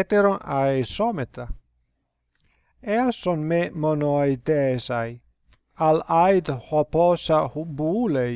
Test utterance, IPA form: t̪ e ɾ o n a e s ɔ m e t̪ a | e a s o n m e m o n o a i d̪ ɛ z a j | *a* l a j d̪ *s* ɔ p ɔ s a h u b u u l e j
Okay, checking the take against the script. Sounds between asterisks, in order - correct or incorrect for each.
correct, incorrect

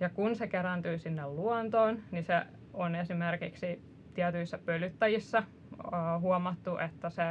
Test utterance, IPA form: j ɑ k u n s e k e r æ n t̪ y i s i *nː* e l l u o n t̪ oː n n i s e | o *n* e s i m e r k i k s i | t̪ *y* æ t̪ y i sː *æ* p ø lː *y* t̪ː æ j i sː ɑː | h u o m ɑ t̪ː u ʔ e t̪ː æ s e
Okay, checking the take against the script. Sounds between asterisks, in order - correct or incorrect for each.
correct, correct, incorrect, correct, correct

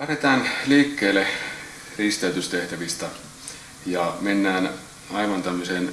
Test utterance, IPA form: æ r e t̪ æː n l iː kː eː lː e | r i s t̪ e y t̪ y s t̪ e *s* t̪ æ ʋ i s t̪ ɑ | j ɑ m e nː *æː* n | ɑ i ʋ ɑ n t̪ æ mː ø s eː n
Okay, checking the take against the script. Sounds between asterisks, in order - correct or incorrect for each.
incorrect, correct

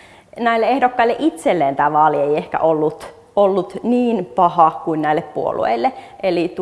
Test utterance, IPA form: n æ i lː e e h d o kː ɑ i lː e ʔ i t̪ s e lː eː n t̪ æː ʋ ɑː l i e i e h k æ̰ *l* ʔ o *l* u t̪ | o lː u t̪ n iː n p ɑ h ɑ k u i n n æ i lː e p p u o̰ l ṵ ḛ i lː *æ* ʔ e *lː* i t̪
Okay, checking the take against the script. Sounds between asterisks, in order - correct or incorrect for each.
incorrect, incorrect, incorrect, incorrect

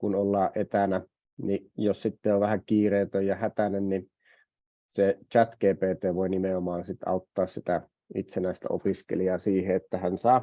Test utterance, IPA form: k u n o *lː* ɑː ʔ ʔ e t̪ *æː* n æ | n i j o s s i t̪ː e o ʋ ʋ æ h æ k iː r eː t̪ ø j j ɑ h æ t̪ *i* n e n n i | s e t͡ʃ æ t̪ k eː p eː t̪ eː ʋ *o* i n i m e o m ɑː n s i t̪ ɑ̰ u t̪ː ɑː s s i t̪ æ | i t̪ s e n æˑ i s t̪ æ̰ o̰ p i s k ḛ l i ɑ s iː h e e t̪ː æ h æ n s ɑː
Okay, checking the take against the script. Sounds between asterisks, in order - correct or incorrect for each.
correct, incorrect, incorrect, correct

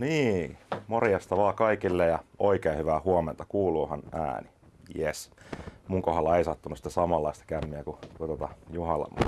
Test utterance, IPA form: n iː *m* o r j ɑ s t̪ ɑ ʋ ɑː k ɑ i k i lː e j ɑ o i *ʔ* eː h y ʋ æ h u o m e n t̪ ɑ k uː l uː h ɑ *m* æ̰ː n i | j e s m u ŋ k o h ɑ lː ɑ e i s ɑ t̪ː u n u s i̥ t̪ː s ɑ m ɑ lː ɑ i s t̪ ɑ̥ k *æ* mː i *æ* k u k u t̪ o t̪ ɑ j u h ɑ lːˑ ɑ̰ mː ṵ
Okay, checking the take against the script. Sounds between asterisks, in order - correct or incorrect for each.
correct, incorrect, incorrect, correct, correct

